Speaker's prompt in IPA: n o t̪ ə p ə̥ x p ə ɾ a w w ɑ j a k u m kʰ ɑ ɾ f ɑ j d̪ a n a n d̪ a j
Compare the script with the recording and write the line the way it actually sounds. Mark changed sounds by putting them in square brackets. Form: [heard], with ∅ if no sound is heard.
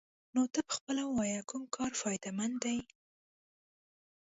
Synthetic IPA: n o t̪ ə p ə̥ x p ə [l] a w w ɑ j a k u m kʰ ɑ ɾ f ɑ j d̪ a [m] a n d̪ a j